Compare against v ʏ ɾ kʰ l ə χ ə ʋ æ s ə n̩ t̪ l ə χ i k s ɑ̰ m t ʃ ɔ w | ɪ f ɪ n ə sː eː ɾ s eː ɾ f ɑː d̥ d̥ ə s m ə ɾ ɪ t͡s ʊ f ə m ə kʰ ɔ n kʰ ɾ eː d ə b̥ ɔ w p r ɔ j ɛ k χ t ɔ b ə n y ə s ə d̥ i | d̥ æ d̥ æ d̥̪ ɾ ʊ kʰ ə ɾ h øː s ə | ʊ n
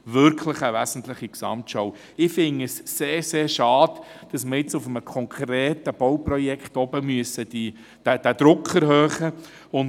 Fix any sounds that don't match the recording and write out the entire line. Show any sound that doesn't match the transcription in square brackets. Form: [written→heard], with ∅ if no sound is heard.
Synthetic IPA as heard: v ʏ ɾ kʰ l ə χ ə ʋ æ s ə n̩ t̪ l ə χ i k s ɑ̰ m t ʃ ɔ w | ɪ f ɪ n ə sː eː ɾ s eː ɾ [f→ʃ] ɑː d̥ d̥ [ə→ɑ] s m ə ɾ ɪ t͡s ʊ f ə m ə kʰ ɔ [n→ŋ] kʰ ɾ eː [d→t] ə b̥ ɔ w p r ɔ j ɛ k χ t ɔ b ə [n→m] y ə s ə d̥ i | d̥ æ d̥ æ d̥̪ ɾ ʊ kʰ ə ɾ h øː [s→χ] ə | ʊ n